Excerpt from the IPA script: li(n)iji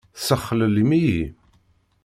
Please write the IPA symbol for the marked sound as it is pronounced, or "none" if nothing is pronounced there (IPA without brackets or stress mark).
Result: m